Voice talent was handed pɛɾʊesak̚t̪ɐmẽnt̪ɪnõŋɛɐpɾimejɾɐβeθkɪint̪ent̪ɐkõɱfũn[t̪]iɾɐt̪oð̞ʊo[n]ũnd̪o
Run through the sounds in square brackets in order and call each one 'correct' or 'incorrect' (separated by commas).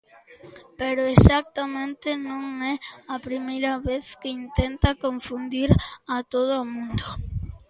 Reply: incorrect, incorrect